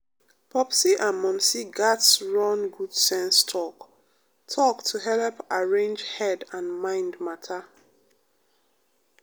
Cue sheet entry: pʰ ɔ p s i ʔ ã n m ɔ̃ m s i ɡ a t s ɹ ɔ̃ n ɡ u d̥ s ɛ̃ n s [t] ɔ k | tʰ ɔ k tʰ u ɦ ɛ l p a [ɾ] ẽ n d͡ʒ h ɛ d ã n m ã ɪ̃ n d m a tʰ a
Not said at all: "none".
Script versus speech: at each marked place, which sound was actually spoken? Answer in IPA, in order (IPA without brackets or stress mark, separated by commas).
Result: tʰ, ɹ